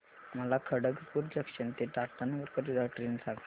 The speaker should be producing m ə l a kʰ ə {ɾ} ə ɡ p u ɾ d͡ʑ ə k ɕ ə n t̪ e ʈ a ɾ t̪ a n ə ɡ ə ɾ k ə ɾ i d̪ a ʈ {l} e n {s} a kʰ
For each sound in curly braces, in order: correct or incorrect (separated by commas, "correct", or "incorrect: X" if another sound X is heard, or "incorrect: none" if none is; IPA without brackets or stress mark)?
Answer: incorrect: ɽ, incorrect: ɾ, correct